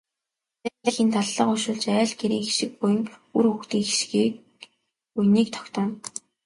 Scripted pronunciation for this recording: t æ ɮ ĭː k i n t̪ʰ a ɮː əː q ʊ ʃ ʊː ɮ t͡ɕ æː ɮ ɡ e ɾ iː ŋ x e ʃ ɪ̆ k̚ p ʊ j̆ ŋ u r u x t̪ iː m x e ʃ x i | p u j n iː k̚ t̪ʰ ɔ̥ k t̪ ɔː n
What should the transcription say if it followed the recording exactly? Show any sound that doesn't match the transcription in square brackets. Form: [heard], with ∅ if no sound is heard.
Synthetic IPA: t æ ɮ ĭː [x] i n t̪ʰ a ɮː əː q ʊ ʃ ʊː ɮ t͡ɕ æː ɮ ɡ e ɾ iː ŋ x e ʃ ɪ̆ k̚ p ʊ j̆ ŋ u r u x t̪ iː [ŋ] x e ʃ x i | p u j n iː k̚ t̪ʰ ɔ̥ k t̪ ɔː n